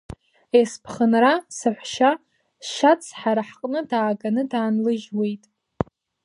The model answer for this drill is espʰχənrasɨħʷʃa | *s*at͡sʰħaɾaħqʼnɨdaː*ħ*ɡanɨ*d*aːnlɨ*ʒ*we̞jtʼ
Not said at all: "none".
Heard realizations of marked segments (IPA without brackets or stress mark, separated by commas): ʃ, none, d, ʒ